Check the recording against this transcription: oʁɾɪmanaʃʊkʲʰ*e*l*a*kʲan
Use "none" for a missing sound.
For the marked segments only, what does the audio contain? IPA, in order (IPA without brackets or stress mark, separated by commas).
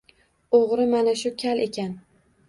a, e